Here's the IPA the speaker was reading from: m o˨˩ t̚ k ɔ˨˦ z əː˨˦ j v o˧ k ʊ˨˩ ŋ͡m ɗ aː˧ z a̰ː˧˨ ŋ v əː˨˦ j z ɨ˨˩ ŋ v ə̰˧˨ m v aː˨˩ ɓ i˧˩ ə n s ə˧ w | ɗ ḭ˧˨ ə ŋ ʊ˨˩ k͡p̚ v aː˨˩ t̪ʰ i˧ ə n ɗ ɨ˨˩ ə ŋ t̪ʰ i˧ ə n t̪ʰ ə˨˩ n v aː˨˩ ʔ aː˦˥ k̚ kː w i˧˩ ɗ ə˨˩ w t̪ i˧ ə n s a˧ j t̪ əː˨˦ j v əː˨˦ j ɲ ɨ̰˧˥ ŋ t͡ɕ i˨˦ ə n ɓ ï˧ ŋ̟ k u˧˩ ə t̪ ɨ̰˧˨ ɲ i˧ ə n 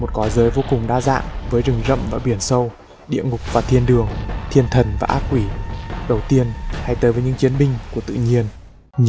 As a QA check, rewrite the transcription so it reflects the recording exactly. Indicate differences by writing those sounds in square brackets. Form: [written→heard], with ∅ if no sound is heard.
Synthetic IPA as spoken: m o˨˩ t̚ k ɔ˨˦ z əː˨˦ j v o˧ k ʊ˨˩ ŋ͡m ɗ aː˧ z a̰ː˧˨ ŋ v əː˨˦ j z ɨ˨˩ ŋ [v→z] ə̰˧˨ m v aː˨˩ ɓ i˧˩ ə n s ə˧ w | ɗ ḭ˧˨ ə ŋ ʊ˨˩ k͡p̚ v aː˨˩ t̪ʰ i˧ ə n ɗ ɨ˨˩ ə ŋ t̪ʰ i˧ ə n t̪ʰ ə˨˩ n v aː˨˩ ʔ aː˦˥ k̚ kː w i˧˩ ɗ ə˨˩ w t̪ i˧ ə n [s→h] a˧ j t̪ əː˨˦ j v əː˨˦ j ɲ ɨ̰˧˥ ŋ t͡ɕ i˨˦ ə n ɓ ï˧ ŋ̟ k u˧˩ ə t̪ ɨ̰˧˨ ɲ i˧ ə n

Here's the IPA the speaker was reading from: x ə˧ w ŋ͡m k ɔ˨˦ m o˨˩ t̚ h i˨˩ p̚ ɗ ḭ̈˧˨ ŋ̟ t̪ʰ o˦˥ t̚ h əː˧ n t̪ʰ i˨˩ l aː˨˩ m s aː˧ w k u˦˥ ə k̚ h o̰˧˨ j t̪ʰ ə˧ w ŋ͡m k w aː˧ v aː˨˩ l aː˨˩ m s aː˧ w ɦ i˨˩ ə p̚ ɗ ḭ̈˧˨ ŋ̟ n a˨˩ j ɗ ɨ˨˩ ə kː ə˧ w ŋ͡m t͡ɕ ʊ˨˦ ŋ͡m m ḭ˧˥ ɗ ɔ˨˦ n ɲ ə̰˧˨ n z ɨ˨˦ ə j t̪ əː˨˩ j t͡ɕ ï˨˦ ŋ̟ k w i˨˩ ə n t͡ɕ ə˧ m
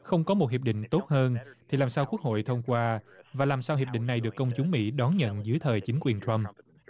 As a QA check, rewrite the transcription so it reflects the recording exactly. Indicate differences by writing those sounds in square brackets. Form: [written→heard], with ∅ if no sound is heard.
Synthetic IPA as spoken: x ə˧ w ŋ͡m k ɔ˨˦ m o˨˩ t̚ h i˨˩ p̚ ɗ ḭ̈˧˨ ŋ̟ [t̪ʰ→t̪] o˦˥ t̚ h əː˧ n t̪ʰ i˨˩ l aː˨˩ m s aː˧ w k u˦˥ ə k̚ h o̰˧˨ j t̪ʰ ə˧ w ŋ͡m k w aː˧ v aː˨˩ l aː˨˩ m s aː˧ w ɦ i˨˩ ə p̚ ɗ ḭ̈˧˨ ŋ̟ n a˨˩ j ɗ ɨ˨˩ ə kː ə˧ w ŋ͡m t͡ɕ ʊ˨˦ ŋ͡m m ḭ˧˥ ɗ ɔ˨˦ n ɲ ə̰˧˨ n z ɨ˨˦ ə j [t̪→t̪ʰ] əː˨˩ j t͡ɕ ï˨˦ ŋ̟ k w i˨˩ ə n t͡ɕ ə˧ m

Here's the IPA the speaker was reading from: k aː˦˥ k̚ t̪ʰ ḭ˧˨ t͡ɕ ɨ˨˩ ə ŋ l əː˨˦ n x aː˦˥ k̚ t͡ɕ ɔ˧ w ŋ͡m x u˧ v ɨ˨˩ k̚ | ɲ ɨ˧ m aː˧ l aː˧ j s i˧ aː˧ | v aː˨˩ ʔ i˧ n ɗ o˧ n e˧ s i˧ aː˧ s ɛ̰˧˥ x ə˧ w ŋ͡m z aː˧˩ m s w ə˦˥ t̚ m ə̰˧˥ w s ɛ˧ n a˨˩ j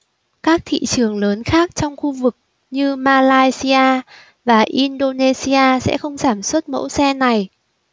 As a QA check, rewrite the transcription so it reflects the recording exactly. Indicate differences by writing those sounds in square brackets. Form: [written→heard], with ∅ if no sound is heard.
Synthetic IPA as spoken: k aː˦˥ k̚ t̪ʰ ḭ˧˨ t͡ɕ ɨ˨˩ ə ŋ l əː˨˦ n x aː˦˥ k̚ t͡ɕ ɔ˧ w ŋ͡m x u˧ v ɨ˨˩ k̚ | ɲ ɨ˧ m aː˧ l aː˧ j s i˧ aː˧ | v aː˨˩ ʔ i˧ n ɗ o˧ n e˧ s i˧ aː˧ s ɛ̰˧˥ x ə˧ w ŋ͡m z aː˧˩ m s w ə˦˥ t̚ m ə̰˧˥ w s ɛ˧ n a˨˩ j

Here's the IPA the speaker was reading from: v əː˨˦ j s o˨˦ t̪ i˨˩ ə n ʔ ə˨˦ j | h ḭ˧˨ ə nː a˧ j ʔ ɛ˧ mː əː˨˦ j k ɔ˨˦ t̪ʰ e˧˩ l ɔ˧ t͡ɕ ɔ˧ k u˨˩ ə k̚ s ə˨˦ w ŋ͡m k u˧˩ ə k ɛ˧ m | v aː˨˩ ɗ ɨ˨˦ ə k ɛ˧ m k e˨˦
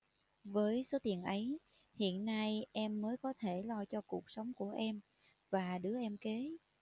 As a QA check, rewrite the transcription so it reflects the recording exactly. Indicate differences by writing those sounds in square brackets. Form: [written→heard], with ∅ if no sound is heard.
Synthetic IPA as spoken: v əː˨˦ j s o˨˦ t̪ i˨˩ ə n ʔ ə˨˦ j | h ḭ˧˨ ə nː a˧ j ʔ ɛ˧ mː əː˨˦ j k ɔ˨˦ t̪ʰ e˧˩ l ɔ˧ t͡ɕ ɔ˧ k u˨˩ ə k̚ s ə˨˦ w ŋ͡m k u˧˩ ə [k→ʔ] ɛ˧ m | v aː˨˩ ɗ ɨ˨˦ ə [k→ʔ] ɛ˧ m k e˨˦

